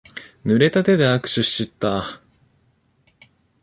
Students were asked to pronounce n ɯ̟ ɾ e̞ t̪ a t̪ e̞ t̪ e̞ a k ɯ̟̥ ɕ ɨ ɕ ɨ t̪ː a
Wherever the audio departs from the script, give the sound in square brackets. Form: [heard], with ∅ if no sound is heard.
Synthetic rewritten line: n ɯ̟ ɾ e̞ t̪ a t̪ e̞ [d̪] e̞ a k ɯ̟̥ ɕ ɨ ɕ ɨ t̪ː a